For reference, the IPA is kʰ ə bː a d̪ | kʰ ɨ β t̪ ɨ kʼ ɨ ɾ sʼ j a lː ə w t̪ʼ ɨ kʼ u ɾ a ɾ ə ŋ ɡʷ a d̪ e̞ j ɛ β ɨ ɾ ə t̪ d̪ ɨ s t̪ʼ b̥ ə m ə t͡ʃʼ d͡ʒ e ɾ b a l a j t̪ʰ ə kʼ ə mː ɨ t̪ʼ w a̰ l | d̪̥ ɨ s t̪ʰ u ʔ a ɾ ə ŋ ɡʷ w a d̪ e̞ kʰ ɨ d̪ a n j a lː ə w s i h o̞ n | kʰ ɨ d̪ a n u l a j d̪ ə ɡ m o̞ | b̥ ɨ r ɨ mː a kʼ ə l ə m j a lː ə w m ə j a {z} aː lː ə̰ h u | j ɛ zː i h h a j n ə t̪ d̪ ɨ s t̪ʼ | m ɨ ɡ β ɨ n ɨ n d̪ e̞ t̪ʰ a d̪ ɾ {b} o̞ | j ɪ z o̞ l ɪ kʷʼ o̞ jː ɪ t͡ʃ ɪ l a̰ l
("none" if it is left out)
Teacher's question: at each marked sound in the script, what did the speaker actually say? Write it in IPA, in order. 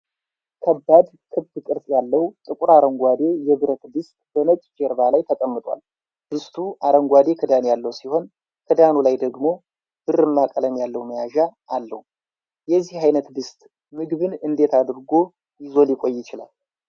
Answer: ʒ, ɡ

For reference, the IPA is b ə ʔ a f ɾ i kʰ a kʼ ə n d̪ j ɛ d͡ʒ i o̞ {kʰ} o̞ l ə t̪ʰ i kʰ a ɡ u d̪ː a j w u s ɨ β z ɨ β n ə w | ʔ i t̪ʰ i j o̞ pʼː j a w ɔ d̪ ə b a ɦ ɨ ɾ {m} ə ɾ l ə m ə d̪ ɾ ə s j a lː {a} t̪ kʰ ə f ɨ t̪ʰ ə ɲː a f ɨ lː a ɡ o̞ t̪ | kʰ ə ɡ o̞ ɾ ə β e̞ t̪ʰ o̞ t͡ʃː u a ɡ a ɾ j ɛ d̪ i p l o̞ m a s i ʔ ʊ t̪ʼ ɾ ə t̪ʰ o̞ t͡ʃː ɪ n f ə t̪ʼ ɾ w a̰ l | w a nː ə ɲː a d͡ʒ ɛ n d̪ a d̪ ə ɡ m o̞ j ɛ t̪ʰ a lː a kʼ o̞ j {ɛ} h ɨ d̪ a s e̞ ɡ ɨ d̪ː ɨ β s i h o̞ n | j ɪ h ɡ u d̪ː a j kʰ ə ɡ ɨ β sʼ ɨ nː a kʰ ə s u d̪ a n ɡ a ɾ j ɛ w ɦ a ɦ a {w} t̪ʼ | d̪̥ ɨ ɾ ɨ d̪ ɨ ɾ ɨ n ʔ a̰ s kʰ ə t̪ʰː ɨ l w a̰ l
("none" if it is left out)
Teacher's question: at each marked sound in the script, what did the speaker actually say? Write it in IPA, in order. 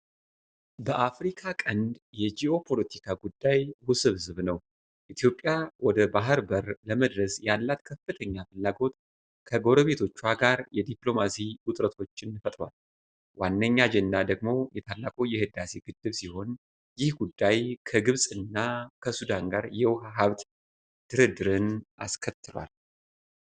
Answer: pʰ, b, a, ɛ, β

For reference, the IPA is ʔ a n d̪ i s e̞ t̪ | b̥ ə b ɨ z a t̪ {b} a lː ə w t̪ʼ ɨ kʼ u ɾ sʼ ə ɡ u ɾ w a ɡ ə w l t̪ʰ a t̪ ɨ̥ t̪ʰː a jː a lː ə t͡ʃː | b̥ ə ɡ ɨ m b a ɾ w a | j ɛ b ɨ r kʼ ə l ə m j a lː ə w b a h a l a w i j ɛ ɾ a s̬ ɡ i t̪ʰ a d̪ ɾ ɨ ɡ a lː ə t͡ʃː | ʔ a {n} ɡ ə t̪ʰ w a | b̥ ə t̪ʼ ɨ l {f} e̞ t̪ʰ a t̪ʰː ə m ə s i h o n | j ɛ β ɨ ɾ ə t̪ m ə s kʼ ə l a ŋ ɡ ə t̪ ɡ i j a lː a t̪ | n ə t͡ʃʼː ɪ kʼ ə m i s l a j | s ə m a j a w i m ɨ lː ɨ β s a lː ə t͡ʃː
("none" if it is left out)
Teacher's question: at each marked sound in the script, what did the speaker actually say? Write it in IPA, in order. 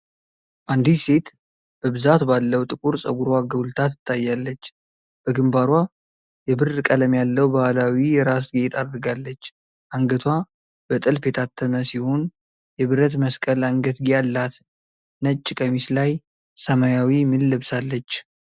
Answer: b, ŋ, f

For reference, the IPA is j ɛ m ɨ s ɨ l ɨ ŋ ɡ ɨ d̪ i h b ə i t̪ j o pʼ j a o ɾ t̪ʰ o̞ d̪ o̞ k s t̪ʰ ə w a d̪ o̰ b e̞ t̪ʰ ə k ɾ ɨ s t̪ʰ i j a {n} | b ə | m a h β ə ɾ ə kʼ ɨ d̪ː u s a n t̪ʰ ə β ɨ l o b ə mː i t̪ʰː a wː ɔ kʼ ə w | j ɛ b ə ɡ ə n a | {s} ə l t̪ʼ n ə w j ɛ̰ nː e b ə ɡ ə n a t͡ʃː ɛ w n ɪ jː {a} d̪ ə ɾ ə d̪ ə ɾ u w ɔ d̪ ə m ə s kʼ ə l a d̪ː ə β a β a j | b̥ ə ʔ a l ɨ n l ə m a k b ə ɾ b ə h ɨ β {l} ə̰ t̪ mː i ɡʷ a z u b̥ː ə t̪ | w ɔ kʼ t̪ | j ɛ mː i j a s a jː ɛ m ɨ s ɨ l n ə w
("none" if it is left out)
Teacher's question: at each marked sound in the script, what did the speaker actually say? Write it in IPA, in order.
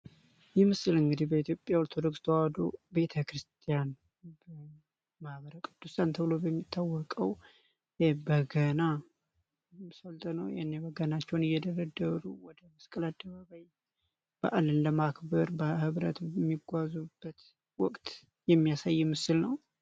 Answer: n, s, ɛ, ɾ

